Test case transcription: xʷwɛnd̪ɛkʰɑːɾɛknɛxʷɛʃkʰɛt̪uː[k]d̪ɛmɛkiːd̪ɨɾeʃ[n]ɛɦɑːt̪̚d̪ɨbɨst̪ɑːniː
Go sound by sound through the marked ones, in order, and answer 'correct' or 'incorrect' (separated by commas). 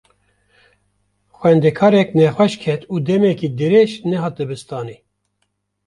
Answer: incorrect, correct